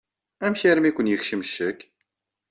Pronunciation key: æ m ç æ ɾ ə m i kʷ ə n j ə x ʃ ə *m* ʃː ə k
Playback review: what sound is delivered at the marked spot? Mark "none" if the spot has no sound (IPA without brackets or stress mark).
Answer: m